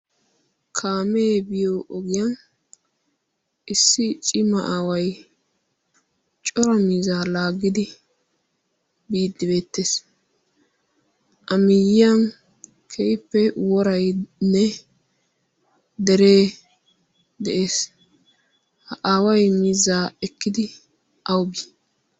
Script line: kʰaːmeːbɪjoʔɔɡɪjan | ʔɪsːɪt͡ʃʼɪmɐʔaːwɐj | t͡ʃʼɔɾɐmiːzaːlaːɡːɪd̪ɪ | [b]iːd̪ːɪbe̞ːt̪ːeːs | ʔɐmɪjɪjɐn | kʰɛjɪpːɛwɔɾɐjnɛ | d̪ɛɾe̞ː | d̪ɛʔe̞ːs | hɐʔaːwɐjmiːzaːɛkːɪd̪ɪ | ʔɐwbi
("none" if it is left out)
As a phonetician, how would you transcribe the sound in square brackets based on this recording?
b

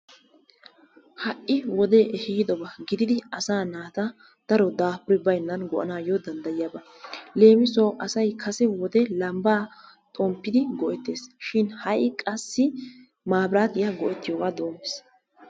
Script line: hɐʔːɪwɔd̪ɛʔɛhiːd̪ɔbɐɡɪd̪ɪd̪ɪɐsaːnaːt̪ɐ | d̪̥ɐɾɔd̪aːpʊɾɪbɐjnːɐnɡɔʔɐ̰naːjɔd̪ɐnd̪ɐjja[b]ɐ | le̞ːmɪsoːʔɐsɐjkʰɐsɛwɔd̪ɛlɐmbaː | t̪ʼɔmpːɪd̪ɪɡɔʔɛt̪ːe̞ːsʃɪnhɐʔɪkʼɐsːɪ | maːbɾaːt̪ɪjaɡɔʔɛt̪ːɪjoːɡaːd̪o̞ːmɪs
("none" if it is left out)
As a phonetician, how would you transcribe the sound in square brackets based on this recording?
b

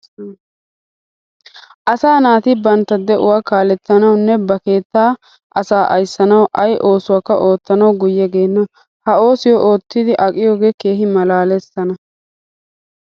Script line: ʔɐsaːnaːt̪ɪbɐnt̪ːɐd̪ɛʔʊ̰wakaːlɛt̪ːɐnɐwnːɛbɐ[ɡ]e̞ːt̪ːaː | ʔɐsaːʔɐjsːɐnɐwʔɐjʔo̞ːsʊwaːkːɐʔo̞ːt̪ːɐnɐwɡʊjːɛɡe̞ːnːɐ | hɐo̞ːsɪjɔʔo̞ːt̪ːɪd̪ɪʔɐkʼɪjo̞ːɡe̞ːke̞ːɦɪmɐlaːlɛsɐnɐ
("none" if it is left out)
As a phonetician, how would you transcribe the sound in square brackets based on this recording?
k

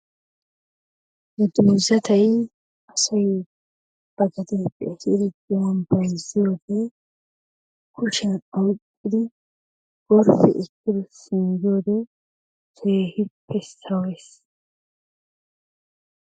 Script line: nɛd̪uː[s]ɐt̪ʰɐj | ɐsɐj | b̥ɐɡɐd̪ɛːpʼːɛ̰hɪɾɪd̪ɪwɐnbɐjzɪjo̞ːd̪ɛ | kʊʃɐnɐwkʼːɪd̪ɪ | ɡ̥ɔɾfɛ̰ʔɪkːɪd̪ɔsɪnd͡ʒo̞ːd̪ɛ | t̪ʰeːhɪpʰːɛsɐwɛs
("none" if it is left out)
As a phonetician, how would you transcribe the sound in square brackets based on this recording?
z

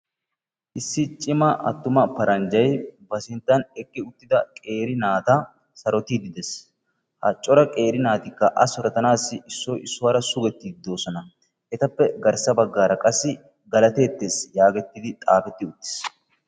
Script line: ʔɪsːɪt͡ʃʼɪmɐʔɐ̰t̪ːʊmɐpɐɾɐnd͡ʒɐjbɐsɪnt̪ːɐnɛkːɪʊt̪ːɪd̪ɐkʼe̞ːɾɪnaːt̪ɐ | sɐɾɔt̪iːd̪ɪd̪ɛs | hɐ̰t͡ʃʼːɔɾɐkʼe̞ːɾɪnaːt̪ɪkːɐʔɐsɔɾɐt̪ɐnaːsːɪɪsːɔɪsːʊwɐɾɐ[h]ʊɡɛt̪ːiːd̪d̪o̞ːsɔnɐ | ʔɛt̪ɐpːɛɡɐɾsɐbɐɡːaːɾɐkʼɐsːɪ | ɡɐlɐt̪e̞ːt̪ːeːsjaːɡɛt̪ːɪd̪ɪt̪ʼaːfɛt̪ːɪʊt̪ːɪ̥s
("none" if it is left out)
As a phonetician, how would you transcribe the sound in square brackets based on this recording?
s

